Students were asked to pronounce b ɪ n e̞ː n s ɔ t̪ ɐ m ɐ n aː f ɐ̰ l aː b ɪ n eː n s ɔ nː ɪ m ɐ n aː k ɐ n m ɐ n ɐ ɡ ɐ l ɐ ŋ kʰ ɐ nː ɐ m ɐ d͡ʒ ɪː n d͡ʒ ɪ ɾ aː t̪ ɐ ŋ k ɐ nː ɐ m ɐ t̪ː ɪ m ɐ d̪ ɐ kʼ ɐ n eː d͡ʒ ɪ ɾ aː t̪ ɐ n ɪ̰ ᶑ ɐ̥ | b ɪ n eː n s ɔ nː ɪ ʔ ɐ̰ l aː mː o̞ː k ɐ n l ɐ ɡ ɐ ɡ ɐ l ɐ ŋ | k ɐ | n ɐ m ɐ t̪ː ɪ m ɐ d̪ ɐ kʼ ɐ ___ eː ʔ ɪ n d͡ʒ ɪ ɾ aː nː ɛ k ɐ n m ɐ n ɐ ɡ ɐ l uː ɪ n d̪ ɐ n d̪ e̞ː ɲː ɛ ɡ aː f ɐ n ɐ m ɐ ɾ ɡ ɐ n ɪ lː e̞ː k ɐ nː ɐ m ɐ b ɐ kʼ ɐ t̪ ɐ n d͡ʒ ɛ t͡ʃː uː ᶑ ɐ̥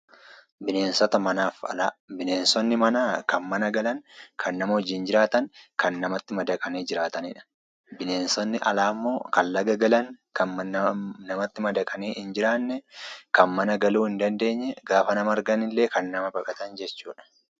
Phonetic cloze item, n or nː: n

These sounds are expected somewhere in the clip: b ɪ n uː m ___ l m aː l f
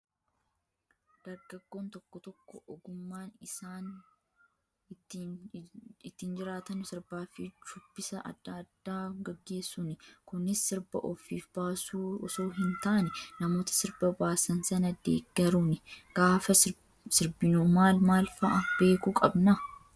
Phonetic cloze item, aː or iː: aː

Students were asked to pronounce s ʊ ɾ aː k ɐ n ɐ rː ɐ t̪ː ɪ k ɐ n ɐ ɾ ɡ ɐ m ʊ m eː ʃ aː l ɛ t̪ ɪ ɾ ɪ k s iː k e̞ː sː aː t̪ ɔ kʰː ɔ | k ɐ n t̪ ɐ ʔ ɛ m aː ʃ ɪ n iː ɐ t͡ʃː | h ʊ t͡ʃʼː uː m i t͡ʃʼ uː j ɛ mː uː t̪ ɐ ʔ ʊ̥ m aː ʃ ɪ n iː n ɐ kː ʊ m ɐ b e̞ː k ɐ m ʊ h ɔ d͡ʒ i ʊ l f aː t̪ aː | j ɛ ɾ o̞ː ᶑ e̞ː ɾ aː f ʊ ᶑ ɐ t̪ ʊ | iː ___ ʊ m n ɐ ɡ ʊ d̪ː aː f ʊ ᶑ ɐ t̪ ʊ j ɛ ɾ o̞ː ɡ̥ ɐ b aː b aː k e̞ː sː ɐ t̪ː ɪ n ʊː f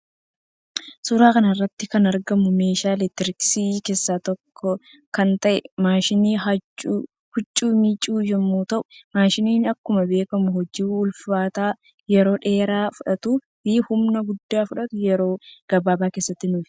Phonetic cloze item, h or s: h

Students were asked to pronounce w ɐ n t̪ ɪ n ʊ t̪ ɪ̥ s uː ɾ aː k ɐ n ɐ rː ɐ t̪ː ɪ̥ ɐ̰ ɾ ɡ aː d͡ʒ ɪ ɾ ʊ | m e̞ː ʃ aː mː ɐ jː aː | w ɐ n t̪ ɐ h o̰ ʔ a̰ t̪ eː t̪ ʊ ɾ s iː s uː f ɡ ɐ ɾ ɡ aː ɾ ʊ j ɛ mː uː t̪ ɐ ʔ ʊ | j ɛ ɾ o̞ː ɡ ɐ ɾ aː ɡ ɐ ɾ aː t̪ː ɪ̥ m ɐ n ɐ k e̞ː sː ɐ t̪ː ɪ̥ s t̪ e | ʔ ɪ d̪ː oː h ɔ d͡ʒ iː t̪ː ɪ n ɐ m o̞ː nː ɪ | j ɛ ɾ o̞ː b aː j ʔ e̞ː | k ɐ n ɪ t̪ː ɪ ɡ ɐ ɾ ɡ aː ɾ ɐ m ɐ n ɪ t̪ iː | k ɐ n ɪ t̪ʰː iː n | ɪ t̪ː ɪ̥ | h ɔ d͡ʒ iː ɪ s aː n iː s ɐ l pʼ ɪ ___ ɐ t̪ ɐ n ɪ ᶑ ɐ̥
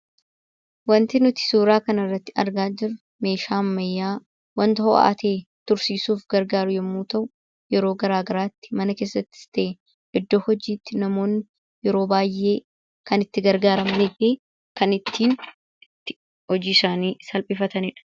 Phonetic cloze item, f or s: f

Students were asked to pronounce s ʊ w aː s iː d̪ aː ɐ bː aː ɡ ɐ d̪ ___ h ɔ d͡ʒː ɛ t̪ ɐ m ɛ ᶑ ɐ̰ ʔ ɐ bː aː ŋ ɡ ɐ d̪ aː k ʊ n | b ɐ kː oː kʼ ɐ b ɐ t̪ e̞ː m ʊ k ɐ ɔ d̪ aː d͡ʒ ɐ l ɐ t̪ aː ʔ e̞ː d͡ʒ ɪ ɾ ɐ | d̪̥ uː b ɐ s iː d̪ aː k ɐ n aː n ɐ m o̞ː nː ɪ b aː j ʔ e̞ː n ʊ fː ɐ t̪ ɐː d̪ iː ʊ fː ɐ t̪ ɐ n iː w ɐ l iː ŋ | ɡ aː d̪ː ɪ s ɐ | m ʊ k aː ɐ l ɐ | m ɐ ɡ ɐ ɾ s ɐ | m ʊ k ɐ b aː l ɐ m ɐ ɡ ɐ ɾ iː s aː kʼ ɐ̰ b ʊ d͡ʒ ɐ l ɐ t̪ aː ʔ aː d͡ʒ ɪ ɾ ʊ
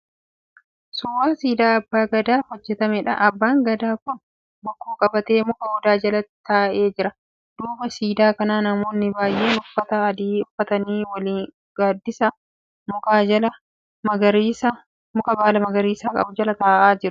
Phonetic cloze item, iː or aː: aː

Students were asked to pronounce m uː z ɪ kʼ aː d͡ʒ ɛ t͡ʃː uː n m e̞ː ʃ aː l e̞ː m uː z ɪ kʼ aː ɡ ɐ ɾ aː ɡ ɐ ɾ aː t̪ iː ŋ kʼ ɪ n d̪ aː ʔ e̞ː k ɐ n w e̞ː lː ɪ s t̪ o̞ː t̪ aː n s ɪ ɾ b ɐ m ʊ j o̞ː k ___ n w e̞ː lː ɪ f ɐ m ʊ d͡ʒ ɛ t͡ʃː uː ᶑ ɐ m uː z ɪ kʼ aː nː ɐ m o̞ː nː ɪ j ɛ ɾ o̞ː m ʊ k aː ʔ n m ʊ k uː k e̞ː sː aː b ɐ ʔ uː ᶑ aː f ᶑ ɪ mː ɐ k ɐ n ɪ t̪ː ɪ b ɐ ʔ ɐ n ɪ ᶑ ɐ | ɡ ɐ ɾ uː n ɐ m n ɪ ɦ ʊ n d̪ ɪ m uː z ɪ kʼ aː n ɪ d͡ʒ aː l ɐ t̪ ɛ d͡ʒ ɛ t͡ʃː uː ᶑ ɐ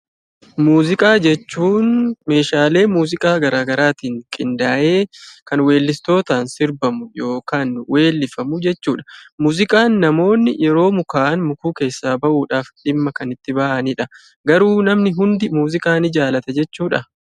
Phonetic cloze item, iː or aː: aː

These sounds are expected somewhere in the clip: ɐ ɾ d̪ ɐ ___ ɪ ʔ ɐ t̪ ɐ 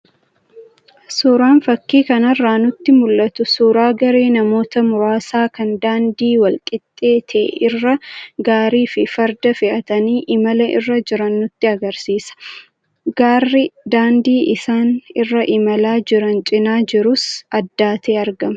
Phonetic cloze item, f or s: f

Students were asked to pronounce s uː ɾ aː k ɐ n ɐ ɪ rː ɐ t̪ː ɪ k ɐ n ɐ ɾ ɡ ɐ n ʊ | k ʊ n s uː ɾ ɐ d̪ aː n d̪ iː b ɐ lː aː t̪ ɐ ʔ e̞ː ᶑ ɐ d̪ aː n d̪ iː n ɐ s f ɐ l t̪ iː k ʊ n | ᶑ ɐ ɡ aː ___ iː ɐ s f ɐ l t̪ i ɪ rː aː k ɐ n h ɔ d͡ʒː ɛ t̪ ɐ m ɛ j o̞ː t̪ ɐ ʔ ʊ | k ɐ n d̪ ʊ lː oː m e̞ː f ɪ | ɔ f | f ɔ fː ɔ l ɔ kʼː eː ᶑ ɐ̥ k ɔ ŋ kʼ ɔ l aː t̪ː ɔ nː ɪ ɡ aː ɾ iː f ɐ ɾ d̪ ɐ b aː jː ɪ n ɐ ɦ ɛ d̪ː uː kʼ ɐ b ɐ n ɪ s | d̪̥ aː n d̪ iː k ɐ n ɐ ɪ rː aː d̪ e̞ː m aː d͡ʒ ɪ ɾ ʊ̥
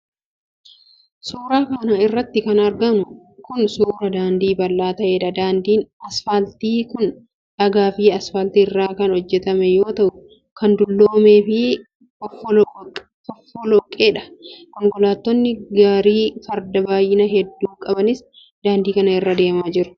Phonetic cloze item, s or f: f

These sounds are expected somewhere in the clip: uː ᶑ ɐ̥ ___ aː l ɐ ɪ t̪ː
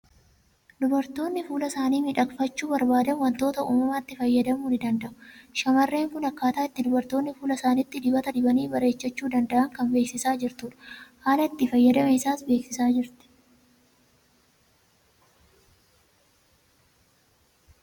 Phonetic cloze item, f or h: h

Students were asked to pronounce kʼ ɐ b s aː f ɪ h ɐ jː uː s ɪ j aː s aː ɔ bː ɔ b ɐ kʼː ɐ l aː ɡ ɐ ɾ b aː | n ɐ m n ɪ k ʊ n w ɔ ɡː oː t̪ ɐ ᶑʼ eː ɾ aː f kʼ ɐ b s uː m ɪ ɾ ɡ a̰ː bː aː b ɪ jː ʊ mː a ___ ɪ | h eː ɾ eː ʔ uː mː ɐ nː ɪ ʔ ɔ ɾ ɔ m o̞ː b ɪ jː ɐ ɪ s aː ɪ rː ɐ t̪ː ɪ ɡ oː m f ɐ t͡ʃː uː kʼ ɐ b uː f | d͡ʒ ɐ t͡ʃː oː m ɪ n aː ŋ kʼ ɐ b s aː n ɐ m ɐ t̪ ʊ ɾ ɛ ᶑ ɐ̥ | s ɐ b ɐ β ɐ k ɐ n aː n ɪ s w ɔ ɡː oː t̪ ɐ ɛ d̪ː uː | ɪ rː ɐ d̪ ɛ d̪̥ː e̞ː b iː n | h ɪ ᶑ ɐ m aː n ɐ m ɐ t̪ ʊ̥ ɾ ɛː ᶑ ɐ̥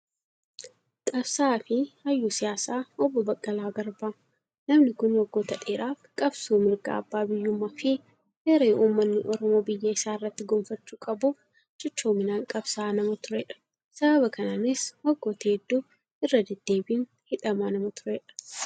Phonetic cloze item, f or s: f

